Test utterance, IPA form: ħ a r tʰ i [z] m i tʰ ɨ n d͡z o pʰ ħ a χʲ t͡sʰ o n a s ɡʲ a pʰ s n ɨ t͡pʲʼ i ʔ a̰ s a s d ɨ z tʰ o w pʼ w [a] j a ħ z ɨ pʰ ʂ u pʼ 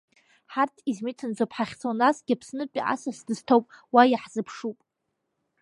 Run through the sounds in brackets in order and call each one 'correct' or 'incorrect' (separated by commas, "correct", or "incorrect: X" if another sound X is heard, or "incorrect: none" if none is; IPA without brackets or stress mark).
correct, correct